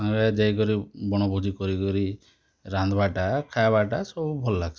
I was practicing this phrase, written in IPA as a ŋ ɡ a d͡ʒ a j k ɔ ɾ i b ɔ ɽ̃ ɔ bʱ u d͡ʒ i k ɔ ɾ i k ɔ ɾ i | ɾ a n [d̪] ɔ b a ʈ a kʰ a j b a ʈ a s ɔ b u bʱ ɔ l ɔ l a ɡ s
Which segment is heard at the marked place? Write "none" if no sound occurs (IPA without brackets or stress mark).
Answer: d̪